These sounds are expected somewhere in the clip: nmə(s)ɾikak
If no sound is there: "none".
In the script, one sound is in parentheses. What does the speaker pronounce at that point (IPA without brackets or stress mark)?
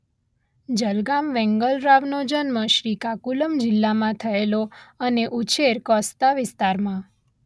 ʃ